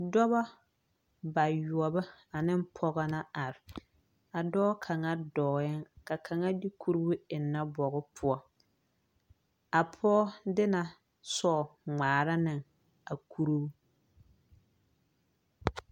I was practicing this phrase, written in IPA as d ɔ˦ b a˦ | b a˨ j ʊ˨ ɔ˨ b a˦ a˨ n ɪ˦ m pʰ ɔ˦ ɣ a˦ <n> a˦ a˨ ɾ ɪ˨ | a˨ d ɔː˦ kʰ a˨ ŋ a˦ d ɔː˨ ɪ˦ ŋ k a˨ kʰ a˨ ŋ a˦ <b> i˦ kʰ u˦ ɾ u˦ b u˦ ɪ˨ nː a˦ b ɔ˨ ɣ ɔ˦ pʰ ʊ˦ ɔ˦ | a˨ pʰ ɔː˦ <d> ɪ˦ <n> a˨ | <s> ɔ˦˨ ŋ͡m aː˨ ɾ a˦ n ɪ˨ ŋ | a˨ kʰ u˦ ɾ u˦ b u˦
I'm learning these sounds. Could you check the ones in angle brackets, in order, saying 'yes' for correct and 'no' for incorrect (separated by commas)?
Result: yes, no, yes, yes, yes